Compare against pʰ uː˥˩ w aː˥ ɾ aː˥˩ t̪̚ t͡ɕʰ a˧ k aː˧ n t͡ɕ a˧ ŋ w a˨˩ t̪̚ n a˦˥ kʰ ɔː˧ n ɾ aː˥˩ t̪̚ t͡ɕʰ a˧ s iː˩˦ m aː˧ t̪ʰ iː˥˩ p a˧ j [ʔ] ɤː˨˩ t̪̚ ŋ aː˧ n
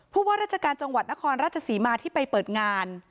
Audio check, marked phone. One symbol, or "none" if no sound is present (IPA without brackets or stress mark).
p